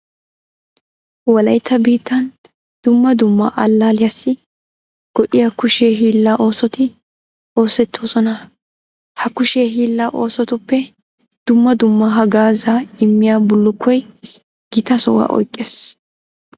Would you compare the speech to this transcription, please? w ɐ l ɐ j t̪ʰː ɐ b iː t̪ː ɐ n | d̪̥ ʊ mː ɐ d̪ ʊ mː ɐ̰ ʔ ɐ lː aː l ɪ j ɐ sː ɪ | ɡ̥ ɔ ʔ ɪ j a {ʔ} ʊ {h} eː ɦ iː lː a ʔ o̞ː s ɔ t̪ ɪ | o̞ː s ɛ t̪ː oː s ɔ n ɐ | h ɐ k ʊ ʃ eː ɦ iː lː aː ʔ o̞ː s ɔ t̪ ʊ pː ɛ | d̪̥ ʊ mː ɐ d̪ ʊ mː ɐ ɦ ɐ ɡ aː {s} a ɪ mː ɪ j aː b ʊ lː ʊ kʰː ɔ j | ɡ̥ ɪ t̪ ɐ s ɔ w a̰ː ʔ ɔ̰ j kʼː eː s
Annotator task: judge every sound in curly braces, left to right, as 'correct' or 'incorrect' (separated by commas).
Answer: incorrect, incorrect, incorrect